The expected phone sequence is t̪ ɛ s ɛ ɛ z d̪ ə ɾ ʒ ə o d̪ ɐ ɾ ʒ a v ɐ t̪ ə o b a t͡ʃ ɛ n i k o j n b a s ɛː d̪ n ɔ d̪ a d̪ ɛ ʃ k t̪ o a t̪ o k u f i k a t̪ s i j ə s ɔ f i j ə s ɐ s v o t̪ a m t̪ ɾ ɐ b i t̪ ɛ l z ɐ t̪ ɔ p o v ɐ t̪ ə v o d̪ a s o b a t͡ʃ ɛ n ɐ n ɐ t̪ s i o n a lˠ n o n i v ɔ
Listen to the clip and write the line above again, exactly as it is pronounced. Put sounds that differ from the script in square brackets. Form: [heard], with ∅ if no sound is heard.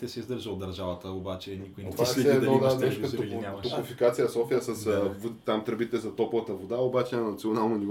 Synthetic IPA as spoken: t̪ ɛ s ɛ [i] z d̪ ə ɾ ʒ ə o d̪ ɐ ɾ ʒ a v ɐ t̪ ə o b a t͡ʃ ɛ n i k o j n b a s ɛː d̪ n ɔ d̪ a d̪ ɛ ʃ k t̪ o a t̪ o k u f i k a t̪ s i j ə s ɔ f i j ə s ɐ s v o t̪ a m t̪ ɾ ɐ b i t̪ ɛ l z ɐ t̪ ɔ p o v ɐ t̪ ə v o d̪ a [∅] o b a t͡ʃ ɛ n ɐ n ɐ t̪ s i o n a lˠ n o n i v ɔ